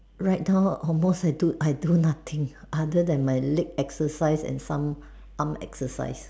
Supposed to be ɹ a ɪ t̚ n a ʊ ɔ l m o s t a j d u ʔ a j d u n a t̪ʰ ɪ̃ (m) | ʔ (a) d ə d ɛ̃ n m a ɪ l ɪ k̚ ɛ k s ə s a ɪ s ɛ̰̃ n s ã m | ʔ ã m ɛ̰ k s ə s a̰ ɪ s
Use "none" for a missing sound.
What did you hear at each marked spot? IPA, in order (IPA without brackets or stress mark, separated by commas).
ŋ, a